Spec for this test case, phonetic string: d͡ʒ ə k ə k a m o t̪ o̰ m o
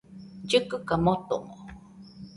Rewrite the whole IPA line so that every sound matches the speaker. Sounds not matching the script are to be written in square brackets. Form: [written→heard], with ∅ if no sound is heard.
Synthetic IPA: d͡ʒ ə k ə k a m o t̪ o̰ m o